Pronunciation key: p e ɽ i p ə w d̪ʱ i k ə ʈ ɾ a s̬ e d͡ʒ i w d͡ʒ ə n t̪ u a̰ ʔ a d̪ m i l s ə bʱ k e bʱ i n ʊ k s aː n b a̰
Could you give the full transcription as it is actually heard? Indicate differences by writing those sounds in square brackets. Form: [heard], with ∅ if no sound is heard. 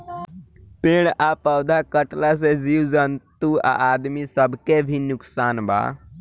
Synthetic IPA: p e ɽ [a] p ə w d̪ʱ [a] k ə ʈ [l] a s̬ e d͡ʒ i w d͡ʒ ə n t̪ u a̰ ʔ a d̪ m i [∅] s ə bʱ k e bʱ i n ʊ k s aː n b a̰